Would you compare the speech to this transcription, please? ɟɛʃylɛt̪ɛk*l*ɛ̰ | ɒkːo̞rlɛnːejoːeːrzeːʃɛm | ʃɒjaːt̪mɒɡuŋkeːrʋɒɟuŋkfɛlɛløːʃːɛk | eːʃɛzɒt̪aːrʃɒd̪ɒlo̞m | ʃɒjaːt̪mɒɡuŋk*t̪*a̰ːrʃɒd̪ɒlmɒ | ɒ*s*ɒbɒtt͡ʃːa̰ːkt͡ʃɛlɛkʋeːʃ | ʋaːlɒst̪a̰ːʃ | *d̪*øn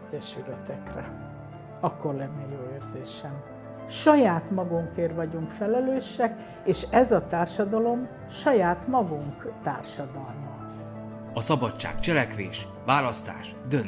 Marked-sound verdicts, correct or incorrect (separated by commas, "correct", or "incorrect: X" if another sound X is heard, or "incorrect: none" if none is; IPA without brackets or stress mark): incorrect: r, correct, correct, correct